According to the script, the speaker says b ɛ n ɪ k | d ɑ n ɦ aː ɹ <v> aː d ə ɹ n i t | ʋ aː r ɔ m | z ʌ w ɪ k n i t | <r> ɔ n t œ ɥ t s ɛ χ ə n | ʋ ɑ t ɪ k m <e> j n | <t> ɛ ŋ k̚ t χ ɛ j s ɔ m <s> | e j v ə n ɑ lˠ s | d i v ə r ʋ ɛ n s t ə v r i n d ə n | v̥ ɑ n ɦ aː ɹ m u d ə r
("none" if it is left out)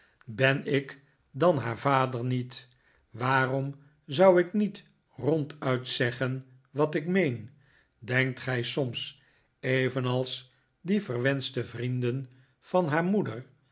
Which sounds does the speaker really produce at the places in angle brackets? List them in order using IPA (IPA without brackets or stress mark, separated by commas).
v, r, e, d, s